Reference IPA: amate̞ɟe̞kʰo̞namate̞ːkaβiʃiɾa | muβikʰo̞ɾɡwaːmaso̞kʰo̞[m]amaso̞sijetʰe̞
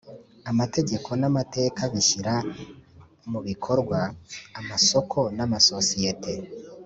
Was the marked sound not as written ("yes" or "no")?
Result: yes